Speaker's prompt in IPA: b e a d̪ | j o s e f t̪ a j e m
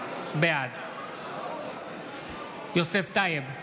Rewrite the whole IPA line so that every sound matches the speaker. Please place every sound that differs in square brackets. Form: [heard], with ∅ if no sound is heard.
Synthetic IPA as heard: b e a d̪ | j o s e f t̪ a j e [b]